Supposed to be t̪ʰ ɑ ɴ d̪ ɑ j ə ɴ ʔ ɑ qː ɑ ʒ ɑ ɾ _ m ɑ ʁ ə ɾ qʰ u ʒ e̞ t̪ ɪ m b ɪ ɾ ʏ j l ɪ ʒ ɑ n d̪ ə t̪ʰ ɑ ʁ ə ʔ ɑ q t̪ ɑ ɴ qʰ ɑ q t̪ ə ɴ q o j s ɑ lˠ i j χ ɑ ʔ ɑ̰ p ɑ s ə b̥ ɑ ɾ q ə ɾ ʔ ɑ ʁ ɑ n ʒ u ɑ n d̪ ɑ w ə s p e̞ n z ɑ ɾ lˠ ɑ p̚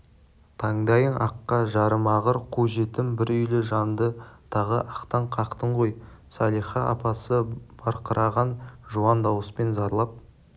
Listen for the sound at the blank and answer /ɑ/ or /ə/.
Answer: ə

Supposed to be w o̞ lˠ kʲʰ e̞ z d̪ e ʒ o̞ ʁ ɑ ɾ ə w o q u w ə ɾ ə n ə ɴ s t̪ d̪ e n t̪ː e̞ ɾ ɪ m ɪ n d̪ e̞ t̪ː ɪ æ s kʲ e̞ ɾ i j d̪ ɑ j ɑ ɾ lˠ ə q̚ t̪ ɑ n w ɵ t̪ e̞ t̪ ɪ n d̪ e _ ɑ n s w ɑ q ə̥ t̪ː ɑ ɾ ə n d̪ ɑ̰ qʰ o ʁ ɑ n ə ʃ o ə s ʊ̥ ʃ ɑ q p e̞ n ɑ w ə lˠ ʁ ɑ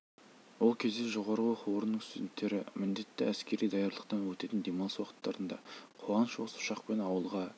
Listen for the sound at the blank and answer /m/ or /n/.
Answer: m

